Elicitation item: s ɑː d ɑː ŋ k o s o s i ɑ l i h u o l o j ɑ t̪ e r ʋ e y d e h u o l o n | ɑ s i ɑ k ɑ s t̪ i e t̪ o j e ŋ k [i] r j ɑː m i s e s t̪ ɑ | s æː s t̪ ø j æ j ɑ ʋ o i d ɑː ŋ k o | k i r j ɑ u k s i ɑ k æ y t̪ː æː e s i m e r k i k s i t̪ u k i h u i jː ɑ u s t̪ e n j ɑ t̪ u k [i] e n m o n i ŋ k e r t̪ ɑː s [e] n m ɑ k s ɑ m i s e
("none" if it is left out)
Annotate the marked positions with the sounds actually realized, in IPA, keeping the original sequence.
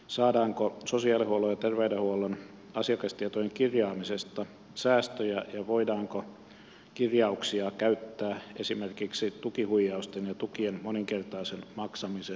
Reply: i, i, e

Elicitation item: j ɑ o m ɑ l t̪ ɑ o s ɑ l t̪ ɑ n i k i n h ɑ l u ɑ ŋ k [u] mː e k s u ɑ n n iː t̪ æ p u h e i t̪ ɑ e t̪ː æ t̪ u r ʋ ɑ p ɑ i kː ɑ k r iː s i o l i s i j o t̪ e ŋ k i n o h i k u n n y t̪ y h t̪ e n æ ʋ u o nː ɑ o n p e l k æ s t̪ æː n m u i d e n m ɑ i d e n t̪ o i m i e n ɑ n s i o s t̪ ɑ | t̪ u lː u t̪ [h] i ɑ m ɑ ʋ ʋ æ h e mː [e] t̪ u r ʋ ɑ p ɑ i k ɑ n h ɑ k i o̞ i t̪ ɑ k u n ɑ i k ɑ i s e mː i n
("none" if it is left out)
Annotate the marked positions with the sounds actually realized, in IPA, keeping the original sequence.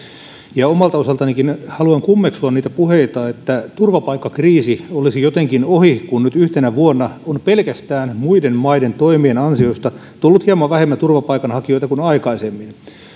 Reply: u, h, æ

